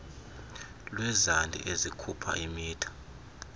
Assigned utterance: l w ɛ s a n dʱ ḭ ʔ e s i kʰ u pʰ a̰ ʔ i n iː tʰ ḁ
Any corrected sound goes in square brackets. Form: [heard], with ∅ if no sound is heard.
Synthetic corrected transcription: l w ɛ [z] a n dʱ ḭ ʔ e [z] i kʰ u pʰ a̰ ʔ i [m] iː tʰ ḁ